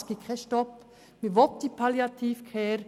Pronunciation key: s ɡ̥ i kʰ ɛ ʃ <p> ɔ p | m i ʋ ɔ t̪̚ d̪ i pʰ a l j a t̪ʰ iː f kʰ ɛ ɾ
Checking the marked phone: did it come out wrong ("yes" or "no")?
yes